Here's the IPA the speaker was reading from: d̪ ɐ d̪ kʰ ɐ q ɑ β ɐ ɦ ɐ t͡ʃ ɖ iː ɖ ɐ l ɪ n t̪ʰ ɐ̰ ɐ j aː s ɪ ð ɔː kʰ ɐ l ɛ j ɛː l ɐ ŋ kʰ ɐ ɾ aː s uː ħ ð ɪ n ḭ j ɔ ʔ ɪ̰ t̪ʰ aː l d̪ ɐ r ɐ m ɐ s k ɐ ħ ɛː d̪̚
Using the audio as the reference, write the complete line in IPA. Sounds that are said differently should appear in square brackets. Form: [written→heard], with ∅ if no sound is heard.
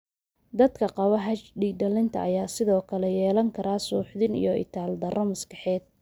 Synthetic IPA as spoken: d̪ ɐ d̪ kʰ ɐ q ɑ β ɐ ɦ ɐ t͡ʃ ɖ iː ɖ ɐ l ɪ n t̪ʰ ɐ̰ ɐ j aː s ɪ ð ɔː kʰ ɐ l ɛ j ɛː l ɐ ŋ kʰ ɐ ɾ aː s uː ħ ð ɪ n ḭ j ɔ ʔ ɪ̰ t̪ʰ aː l d̪ ɐ r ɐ m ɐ s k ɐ ħ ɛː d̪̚